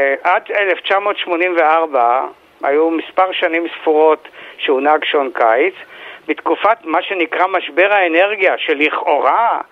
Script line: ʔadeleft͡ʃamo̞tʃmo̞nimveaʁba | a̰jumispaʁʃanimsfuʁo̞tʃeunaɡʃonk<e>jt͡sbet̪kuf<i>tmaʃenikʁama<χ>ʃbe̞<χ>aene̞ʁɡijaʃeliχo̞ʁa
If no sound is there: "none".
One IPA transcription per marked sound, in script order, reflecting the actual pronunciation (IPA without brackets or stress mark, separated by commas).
a, a, none, ʁ